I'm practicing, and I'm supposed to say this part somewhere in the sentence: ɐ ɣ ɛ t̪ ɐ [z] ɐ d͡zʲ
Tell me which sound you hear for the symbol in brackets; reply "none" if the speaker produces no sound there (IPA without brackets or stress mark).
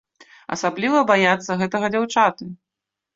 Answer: ɣ